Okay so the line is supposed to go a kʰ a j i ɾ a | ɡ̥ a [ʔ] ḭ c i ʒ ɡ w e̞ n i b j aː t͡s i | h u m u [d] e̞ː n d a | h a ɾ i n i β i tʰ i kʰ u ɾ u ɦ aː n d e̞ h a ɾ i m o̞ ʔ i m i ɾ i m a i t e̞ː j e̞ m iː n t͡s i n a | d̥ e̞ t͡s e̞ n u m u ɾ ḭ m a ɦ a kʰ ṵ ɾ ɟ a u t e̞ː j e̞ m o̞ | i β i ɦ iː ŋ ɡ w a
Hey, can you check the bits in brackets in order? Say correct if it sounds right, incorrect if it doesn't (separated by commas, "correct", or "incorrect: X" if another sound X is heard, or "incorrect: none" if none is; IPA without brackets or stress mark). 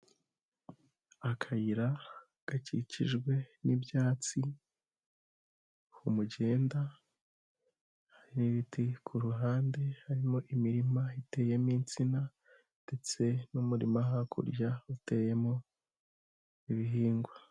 incorrect: c, incorrect: ɟ